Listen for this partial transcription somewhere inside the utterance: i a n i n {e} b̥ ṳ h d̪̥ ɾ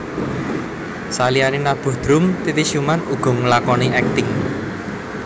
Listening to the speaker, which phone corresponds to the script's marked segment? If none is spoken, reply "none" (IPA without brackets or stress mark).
a